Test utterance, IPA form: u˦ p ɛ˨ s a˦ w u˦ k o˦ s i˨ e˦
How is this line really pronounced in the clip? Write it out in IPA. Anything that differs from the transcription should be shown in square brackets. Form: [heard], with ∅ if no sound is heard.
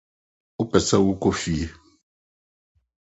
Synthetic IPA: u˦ p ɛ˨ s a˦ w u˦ k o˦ [f] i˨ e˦